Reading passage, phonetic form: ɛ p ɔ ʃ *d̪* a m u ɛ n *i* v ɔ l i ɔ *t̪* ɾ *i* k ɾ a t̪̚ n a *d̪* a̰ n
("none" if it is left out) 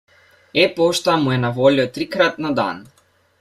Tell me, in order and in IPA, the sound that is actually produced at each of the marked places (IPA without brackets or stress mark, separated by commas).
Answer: t̪, a, t̪, i, d̪